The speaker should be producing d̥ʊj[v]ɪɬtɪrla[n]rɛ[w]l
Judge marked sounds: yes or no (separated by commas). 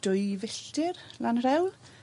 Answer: yes, yes, yes